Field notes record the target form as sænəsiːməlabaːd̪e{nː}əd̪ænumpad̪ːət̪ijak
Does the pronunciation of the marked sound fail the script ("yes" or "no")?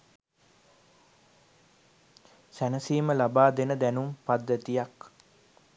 yes